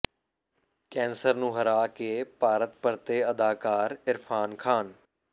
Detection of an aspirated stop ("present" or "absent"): present